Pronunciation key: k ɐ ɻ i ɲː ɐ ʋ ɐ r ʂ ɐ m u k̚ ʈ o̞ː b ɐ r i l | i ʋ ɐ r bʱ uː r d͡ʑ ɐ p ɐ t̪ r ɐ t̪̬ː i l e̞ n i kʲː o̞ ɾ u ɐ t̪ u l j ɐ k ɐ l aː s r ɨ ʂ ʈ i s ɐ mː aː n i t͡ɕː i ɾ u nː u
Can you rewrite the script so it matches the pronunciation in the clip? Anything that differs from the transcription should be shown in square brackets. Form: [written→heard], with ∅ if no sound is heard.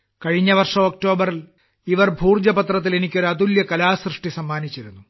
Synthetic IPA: k ɐ ɻ i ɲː ɐ ʋ ɐ r ʂ ɐ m [u→o] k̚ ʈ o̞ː b ɐ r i l | i ʋ ɐ r bʱ uː r d͡ʑ ɐ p ɐ t̪ r ɐ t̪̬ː i l e̞ n i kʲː o̞ ɾ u ɐ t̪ u l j ɐ k ɐ l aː s r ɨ ʂ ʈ i s ɐ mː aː n i t͡ɕː i ɾ u nː u